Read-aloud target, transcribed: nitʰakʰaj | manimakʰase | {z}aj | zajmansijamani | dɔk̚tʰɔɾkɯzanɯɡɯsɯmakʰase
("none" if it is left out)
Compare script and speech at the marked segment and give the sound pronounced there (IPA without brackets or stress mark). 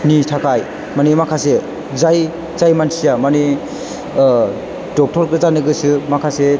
z